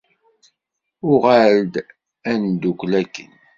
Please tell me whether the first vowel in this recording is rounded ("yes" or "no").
yes